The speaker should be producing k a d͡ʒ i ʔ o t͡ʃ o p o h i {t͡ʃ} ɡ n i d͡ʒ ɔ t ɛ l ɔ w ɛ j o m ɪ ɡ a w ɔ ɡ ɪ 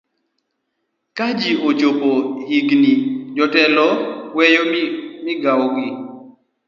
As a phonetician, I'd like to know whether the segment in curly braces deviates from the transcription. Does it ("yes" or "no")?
yes